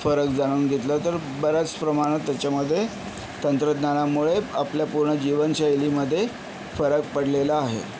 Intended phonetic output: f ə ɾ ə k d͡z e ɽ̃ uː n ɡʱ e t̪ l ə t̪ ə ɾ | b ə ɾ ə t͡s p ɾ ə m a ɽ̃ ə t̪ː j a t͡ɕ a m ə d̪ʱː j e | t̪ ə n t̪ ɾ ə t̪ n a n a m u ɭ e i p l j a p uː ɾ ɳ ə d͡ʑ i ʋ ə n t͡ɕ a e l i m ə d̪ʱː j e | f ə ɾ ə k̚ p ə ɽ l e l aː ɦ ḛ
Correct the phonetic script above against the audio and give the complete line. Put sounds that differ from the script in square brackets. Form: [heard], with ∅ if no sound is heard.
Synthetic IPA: f ə ɾ ə k d͡z [a] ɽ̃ uː n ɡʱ e t̪ l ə t̪ ə ɾ | b ə ɾ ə t͡s p ɾ ə m a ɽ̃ ə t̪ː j a t͡ɕ a m ə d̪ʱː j e | t̪ ə n t̪ ɾ ə [d̪] n a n a m u ɭ e [a] p l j a p [u] ɾ ɳ ə d͡ʑ i ʋ ə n t͡ɕ a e l i m ə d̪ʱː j e | f ə ɾ ə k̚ p ə ɽ l e l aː ɦ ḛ